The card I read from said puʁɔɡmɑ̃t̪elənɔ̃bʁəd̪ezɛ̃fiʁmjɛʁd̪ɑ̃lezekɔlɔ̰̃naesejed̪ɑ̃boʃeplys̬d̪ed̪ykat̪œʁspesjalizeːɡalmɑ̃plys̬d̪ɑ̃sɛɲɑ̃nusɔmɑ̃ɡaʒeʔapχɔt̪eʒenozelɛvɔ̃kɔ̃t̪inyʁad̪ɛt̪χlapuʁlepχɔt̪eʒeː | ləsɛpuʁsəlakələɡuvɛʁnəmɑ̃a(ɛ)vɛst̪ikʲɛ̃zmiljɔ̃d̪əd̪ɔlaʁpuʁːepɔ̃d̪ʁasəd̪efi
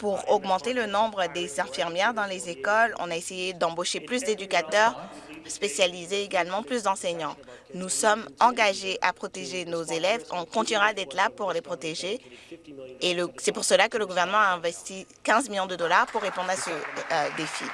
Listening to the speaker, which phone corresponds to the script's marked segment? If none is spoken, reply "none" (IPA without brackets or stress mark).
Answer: ɛ̃